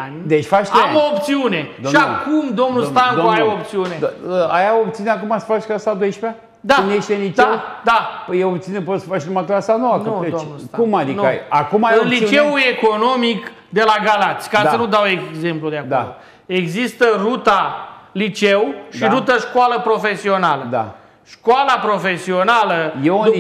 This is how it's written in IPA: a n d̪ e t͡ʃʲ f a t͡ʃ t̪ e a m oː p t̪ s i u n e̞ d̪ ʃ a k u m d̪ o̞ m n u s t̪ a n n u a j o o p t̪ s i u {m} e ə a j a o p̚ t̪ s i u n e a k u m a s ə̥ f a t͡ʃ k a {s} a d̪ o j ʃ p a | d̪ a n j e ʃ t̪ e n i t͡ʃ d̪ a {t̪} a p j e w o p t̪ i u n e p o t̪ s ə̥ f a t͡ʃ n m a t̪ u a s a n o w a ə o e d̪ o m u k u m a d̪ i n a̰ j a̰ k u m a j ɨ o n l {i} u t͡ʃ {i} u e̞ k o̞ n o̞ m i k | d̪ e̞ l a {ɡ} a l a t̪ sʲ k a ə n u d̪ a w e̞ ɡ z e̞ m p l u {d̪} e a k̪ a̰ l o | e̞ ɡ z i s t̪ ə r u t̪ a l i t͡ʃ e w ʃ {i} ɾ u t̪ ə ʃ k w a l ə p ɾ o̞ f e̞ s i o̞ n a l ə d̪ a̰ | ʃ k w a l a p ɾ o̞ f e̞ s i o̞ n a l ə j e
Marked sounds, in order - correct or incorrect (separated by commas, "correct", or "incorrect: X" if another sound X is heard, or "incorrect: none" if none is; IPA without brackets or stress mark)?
incorrect: n, correct, incorrect: d̪, correct, incorrect: e, correct, correct, correct